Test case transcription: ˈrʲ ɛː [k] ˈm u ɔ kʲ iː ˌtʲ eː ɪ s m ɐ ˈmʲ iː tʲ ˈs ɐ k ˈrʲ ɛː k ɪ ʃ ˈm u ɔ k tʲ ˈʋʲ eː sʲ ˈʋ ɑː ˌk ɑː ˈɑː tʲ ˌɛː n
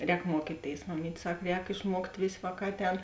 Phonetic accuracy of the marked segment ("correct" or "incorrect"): correct